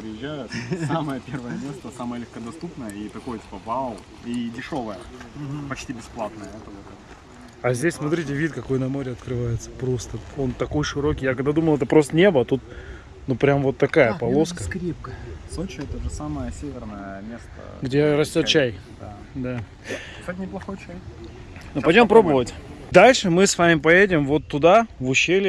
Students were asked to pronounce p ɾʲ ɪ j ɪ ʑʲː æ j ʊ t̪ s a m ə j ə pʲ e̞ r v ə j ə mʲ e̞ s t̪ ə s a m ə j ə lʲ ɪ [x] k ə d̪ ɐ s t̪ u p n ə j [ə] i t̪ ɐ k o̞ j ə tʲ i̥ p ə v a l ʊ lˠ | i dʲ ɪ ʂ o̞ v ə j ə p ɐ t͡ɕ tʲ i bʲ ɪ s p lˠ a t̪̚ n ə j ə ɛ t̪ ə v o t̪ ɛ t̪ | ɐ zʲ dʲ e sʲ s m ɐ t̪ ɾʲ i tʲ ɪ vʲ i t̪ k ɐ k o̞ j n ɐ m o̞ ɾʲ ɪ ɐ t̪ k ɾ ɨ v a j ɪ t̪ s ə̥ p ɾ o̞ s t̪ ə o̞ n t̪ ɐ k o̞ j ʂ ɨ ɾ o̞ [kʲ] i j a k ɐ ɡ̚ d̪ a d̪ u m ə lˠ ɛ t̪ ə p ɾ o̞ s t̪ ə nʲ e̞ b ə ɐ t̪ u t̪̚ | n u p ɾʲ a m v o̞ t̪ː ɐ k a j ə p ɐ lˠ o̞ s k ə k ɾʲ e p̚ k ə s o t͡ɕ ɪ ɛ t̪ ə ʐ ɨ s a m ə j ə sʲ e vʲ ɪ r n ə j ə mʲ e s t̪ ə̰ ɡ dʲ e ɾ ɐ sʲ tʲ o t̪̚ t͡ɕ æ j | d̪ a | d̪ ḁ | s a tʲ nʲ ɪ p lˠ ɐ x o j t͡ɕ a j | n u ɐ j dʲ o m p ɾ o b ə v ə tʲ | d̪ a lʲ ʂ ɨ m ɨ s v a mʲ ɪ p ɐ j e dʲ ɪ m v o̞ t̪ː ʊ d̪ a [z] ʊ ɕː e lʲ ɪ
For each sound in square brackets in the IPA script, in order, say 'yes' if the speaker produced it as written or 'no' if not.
yes, yes, yes, no

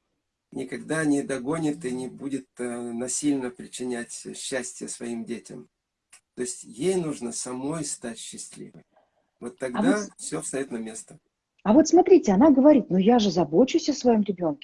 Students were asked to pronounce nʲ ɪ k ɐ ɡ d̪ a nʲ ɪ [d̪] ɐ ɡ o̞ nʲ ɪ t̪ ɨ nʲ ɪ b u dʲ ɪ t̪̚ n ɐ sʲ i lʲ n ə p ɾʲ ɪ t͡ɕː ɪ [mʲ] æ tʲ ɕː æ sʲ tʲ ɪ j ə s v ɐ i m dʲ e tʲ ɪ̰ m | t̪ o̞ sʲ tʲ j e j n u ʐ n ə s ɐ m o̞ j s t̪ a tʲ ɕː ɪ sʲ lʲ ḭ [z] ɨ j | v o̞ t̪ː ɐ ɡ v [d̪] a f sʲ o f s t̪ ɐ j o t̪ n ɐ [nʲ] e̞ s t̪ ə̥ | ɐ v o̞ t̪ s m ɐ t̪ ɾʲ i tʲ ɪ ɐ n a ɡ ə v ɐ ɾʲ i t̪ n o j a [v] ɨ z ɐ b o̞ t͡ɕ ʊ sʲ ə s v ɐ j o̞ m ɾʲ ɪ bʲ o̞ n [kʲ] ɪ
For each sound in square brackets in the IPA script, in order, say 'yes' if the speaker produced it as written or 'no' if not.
yes, no, no, yes, no, no, yes

